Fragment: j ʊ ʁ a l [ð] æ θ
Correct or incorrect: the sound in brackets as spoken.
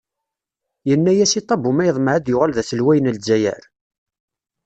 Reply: correct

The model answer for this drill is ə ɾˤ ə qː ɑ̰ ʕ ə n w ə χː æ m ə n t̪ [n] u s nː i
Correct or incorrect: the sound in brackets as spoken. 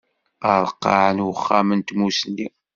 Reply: incorrect: m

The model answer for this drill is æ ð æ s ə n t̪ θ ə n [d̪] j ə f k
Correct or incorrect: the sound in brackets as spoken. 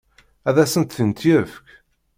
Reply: incorrect: t̪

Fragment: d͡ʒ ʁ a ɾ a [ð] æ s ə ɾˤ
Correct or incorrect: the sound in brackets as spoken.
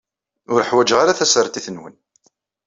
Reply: incorrect: θ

